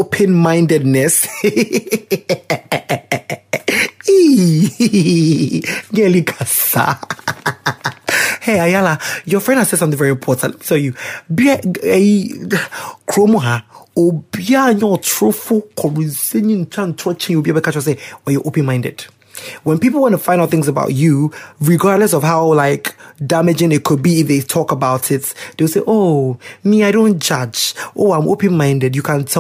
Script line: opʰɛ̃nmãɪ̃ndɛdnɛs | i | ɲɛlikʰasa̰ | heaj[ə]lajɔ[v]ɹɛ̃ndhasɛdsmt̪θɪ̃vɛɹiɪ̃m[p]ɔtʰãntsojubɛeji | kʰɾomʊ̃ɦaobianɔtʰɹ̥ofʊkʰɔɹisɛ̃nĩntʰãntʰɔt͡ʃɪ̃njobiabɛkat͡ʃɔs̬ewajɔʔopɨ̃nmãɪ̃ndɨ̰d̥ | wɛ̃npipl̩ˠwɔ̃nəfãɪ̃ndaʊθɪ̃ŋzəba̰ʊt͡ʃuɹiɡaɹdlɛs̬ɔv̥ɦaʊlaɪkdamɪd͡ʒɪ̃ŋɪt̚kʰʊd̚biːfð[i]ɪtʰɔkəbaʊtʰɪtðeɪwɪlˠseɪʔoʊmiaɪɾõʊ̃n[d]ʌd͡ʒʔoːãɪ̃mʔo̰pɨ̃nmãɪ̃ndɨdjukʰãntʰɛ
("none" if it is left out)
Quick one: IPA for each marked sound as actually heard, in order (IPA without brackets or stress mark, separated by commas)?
a, f, pʰ, e, d͡ʒ